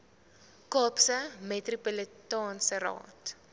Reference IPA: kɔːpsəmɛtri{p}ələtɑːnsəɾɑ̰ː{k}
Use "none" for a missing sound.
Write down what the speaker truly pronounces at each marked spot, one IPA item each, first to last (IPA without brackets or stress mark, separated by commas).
p, t